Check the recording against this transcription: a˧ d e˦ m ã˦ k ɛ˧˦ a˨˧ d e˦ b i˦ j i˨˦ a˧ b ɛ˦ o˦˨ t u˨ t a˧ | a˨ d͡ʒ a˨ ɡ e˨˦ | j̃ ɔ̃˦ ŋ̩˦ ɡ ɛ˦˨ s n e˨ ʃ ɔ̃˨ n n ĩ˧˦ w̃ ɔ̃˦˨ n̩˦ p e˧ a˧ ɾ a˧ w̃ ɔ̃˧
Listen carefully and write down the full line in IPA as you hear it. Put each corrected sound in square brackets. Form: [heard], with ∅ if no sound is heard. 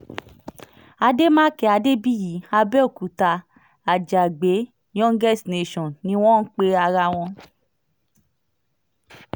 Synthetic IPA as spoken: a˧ d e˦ m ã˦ k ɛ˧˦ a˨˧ d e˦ b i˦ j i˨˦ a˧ b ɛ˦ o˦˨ [k] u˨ t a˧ | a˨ d͡ʒ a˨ [ɡ͡b] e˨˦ | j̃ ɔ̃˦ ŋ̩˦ ɡ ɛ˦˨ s n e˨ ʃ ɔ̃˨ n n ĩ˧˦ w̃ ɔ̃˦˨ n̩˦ [k͡p] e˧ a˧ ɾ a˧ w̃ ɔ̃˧